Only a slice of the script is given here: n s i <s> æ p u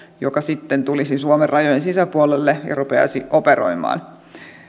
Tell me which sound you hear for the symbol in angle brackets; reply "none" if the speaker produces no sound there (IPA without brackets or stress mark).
s